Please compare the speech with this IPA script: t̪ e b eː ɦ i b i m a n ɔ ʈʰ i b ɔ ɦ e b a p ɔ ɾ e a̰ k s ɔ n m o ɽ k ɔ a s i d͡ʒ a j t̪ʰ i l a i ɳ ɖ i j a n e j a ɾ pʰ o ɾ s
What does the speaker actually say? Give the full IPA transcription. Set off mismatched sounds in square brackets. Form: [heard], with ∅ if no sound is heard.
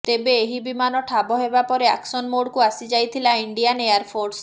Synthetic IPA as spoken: t̪ e b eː ɦ i b i m a n ɔ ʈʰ [a] b ɔ ɦ e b a p ɔ ɾ e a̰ k s ɔ n m o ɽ k [u] a s i d͡ʒ a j t̪ʰ i l a i ɳ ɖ i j a n e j a ɾ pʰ o ɾ s